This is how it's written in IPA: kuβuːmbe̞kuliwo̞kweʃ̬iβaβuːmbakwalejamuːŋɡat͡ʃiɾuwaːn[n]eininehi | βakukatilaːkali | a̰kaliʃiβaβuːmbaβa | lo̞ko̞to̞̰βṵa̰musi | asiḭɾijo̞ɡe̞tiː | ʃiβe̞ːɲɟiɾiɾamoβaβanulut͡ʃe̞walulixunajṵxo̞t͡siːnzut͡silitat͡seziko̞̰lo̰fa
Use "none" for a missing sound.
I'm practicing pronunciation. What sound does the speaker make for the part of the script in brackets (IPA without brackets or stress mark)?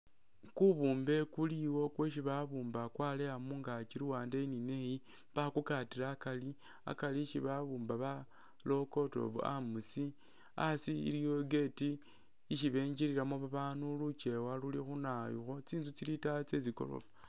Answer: d